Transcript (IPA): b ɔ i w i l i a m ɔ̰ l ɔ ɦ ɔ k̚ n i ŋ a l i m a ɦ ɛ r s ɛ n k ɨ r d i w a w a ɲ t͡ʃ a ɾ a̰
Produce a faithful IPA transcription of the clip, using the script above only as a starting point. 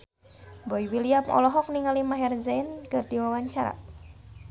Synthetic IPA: b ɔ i w i l i a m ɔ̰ l ɔ ɦ ɔ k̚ n i ŋ a l i m a ɦ ɛ r z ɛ n k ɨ r d i w a w a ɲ t͡ʃ a ɾ a̰